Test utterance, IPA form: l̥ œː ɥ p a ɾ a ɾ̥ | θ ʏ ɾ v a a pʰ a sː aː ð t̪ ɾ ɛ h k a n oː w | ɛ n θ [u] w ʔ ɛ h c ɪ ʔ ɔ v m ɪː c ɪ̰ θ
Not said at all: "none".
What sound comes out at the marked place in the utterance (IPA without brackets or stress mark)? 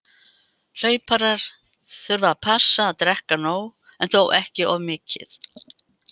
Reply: o